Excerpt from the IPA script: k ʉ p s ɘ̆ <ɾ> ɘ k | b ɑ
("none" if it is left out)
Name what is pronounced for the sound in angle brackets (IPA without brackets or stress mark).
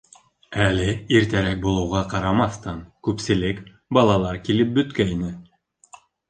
l